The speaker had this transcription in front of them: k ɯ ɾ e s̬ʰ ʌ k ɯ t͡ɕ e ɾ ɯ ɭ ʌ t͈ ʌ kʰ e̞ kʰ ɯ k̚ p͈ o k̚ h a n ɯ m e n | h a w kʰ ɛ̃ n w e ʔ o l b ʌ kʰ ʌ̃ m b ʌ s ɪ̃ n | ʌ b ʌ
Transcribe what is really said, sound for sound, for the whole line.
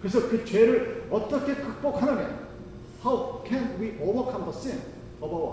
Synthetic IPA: k ɯ ɾ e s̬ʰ ʌ k ɯ t͡ɕ e ɾ ɯ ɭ ʌ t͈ ʌ kʰ e̞ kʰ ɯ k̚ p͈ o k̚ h a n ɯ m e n | h a w kʰ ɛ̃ n w i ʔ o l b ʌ kʰ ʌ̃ m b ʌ s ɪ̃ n | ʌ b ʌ